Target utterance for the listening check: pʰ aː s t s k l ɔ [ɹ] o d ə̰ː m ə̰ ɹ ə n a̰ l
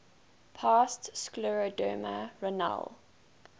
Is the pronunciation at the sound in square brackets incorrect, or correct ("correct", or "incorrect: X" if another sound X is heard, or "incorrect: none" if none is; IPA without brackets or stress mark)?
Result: correct